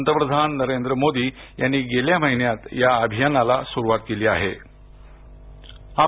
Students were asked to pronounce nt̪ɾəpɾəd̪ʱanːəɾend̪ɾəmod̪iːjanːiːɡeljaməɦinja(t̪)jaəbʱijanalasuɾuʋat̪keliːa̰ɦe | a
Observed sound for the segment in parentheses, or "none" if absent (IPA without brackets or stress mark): t̪